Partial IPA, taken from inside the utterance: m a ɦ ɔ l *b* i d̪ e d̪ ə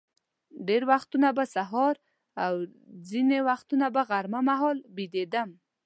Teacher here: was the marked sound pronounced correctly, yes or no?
yes